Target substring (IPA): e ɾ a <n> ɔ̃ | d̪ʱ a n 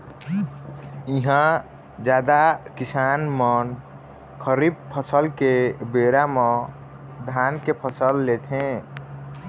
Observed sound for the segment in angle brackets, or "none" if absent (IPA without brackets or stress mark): m